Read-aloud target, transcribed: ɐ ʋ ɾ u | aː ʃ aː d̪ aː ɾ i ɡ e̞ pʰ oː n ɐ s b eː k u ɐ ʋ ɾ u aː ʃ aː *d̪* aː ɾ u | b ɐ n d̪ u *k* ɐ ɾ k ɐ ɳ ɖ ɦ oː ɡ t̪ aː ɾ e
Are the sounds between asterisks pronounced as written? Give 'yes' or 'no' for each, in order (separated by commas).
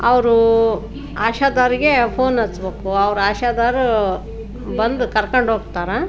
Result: yes, yes